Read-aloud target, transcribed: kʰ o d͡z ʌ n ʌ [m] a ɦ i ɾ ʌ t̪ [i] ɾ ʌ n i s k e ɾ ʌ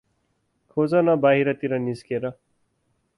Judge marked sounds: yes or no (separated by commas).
no, yes